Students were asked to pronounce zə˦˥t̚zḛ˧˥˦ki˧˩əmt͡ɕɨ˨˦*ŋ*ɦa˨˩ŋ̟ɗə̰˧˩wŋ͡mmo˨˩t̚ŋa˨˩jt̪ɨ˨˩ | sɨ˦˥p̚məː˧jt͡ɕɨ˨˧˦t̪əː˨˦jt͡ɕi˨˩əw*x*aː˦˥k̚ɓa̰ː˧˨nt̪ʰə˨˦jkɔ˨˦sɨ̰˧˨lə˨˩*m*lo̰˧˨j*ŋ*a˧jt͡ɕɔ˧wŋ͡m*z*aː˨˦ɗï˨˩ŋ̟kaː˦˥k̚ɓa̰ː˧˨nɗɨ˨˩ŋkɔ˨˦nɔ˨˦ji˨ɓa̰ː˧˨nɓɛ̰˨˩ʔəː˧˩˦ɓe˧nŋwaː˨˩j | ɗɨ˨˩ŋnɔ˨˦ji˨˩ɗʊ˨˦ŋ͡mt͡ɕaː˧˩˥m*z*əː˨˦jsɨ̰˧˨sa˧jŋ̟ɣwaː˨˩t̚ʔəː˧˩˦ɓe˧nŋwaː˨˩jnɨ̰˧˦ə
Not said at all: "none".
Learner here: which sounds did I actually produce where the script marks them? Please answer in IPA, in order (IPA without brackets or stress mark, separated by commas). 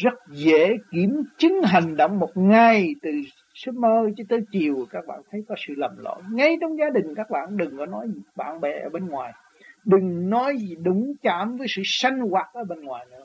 ŋ, k, m, ŋ, z, v